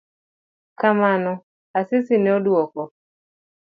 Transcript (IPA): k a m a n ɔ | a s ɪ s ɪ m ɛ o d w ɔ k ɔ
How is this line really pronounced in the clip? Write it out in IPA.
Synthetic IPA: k a m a n ɔ | a s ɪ s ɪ n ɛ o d w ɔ k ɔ